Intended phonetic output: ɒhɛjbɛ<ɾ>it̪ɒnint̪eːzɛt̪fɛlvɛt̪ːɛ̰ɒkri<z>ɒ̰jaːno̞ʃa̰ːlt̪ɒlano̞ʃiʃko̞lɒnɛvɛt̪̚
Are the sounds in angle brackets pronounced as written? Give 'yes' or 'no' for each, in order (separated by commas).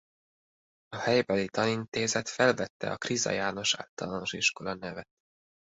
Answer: no, yes